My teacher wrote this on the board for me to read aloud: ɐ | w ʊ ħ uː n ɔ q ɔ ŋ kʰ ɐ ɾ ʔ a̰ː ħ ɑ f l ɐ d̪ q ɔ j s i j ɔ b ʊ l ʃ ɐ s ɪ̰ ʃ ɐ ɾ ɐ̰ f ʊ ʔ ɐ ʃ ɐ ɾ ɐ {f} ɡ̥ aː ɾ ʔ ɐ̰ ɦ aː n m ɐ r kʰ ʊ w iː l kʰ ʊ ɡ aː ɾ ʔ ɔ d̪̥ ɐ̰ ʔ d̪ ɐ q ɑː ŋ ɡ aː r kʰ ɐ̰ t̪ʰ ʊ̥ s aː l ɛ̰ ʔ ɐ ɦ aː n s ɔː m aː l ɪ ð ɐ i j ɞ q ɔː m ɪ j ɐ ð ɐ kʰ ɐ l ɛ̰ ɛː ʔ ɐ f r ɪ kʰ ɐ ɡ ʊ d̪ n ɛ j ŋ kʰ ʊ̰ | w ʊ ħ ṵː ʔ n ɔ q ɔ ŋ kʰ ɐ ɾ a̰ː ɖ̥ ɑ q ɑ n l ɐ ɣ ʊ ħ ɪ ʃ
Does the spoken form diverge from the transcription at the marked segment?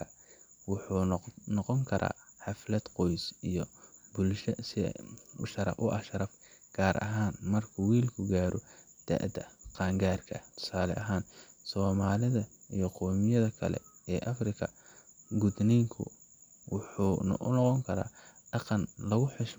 no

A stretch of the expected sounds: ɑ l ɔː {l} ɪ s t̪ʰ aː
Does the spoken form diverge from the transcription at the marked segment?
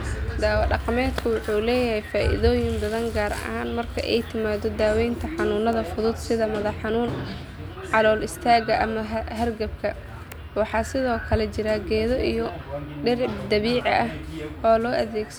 no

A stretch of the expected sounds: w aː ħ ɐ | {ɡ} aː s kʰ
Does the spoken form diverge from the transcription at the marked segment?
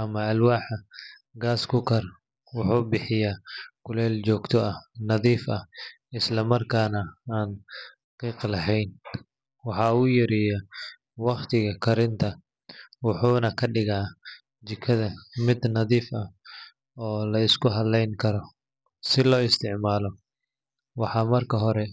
no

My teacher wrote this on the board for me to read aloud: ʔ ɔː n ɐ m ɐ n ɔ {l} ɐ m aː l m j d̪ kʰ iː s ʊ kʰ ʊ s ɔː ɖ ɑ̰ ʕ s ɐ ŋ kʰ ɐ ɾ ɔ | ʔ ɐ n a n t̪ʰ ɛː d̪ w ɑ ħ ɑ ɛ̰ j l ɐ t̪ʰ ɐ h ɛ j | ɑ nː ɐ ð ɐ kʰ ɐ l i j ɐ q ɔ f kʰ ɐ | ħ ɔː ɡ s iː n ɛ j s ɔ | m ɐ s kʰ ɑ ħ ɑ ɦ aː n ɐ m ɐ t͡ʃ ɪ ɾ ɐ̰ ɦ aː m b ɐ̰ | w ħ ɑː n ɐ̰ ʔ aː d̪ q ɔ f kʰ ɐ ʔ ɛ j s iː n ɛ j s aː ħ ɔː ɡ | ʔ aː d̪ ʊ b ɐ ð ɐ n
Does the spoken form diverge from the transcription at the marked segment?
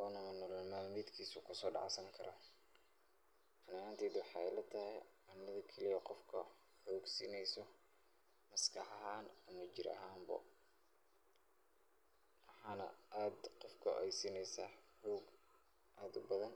no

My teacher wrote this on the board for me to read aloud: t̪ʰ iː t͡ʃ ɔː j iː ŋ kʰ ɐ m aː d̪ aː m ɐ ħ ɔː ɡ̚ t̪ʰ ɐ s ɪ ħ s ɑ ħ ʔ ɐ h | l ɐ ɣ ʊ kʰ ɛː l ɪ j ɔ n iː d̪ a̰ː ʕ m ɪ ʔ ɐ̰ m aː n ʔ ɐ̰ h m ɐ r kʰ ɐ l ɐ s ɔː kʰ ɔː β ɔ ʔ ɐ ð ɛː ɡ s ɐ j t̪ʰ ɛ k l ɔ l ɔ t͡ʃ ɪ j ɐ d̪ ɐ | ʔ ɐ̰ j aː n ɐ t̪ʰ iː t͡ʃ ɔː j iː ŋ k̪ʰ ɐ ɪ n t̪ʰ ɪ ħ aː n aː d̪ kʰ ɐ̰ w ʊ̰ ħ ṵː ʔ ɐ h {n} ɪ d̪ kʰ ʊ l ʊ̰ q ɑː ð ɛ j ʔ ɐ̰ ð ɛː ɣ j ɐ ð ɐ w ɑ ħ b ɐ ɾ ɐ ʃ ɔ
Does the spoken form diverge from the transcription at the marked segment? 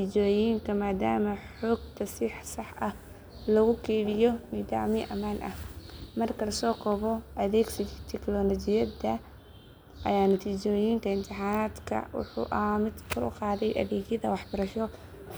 yes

